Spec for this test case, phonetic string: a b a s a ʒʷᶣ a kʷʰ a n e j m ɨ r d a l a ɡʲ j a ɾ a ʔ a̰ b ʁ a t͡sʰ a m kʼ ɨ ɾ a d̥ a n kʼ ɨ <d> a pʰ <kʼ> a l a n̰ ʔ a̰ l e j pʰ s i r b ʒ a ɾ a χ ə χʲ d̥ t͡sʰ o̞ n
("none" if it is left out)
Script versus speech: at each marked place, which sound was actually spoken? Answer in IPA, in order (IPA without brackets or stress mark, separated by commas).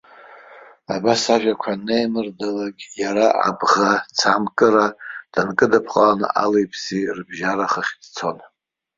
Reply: d, qʼ